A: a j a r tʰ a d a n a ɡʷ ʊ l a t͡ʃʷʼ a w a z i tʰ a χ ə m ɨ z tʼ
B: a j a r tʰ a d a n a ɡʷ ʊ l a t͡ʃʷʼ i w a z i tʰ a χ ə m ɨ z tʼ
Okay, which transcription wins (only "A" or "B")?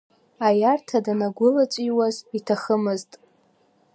B